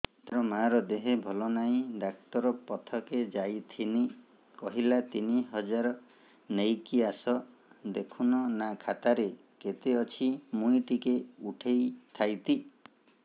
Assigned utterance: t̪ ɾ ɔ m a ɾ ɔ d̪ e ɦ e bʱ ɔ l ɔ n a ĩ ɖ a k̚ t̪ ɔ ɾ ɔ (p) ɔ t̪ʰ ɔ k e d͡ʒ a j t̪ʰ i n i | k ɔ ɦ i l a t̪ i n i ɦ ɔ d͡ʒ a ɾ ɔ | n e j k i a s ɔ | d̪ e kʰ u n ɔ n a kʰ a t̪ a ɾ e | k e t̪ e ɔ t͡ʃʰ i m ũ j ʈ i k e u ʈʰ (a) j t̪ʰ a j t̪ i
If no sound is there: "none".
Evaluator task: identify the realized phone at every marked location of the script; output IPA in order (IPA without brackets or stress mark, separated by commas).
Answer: p, e